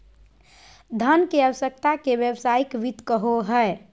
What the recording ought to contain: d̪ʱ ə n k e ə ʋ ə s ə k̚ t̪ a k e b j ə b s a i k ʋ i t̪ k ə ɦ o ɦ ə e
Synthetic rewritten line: d̪ʱ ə n k e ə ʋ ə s ə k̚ t̪ a k e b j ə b s a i k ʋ i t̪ k ə ɦ o ɦ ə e